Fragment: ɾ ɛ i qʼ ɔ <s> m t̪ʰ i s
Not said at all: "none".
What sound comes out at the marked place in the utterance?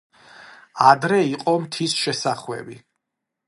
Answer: none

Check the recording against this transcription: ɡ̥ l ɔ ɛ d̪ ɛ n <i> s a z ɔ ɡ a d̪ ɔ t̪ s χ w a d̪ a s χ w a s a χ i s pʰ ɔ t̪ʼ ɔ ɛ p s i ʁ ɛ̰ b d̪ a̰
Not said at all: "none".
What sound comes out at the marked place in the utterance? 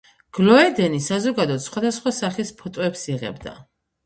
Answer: i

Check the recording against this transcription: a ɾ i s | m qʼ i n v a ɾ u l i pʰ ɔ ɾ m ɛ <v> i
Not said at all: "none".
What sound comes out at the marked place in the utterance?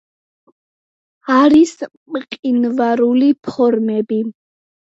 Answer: b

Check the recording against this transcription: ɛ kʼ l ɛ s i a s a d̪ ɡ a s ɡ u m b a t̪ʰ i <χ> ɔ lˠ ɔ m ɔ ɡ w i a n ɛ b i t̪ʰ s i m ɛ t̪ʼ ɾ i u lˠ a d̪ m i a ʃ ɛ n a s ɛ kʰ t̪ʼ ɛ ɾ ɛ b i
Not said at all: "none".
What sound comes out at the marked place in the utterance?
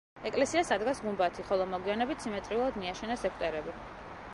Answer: χ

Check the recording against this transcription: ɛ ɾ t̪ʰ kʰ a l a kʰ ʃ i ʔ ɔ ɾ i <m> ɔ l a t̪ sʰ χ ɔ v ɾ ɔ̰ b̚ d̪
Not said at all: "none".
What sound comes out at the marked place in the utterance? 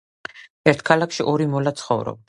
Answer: m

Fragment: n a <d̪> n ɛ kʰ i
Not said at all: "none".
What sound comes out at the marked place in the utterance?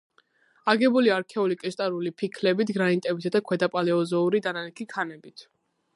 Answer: none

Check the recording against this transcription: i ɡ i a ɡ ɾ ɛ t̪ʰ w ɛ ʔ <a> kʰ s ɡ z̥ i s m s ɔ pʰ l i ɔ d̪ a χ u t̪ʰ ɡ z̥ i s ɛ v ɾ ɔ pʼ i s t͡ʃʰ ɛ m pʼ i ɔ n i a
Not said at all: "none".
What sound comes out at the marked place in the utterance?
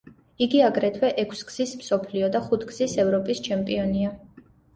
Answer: ɛ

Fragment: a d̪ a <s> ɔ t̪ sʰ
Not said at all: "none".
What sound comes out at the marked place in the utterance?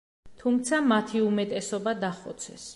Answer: χ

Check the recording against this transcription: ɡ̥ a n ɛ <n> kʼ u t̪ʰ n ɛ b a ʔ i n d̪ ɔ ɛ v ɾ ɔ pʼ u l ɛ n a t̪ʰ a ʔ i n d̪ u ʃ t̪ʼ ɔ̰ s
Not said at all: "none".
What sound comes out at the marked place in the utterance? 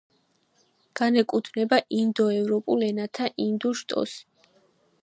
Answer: none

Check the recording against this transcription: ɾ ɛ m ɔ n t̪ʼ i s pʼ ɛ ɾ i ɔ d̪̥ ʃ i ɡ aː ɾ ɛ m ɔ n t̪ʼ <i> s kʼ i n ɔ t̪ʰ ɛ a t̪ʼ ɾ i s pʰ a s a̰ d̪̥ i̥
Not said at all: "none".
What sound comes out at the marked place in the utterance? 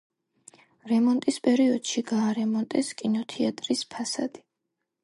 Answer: ɛ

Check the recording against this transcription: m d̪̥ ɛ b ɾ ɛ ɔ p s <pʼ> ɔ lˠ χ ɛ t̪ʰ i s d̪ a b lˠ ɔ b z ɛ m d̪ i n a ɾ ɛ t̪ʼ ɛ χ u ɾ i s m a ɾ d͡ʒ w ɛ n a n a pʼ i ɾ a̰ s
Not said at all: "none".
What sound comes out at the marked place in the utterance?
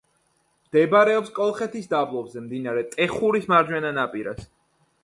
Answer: kʼ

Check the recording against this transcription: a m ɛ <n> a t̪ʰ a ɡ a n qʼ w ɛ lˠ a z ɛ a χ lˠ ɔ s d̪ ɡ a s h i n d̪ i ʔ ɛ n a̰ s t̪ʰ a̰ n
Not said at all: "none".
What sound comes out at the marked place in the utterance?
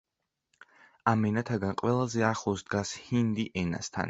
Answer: n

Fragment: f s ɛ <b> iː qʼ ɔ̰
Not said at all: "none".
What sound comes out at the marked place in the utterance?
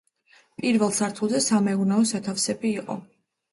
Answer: b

